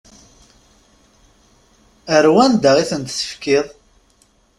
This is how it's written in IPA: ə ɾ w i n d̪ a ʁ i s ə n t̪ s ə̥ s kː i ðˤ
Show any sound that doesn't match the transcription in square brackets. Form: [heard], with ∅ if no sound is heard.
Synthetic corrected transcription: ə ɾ w [æ] n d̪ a ʁ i [θ] ə n t̪ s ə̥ [f] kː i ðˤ